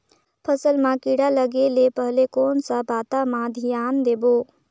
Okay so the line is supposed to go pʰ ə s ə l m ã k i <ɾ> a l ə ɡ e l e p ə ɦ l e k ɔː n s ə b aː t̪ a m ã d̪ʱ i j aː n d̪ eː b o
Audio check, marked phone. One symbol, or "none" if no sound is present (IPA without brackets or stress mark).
ɽ